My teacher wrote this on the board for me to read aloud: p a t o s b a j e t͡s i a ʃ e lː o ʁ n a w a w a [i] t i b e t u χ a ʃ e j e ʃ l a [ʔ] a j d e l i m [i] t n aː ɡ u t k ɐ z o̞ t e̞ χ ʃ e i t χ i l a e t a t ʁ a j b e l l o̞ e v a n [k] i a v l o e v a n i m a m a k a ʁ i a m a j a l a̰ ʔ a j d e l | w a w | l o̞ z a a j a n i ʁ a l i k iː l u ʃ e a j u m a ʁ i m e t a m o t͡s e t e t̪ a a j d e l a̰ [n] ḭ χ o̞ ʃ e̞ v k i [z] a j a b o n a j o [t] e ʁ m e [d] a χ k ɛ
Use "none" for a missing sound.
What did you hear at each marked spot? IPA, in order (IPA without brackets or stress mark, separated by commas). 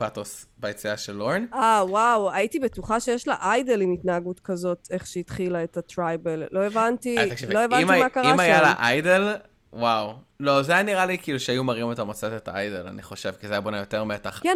i, ʔ, i, t, n, z, t, t